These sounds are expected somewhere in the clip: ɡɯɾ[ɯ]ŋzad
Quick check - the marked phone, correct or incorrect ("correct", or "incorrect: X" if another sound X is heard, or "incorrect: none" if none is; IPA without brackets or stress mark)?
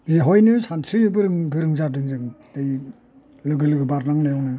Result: correct